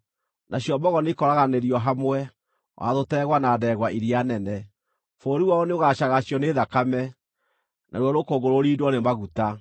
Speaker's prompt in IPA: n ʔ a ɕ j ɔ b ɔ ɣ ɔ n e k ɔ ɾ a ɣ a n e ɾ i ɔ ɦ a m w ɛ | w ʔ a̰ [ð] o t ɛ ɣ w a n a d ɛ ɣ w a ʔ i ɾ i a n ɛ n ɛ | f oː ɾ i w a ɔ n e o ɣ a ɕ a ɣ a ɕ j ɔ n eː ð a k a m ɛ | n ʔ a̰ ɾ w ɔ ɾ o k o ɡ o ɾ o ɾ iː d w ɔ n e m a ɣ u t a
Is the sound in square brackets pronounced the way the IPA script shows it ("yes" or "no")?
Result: yes